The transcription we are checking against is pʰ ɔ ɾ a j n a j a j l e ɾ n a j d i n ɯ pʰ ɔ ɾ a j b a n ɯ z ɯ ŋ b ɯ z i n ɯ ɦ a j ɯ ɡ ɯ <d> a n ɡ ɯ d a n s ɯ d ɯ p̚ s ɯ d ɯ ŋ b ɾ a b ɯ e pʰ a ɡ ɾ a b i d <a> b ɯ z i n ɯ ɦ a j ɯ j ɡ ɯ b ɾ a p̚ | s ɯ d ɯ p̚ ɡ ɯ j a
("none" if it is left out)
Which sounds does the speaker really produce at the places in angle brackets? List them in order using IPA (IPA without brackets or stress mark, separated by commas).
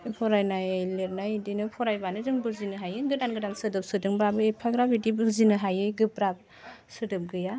d, i